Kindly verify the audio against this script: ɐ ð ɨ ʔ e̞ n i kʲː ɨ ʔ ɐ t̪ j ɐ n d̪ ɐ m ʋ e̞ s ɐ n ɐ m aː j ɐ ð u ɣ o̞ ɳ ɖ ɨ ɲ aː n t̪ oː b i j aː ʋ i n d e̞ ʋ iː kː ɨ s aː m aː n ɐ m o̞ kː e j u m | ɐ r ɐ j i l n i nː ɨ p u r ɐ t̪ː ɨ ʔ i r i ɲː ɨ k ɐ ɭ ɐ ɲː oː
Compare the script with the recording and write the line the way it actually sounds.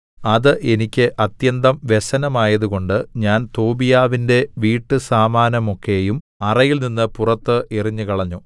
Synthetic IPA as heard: ɐ ð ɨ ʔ e̞ n i kʲː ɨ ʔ ɐ t̪ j ɐ n d̪ ɐ m ʋ e̞ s ɐ n ɐ m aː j ɐ ð u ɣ o̞ ɳ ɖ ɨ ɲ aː n t̪ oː b i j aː ʋ i n d e̞ ʋ iː ʈː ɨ s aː m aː n ɐ m o̞ kː e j u m | ɐ r ɐ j i l n i nː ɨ p u r ɐ t̪ː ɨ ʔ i r i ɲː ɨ k ɐ ɭ ɐ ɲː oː